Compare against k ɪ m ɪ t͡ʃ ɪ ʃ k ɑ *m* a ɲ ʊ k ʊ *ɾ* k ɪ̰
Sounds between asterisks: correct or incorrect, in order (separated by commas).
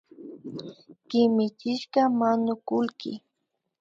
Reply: correct, incorrect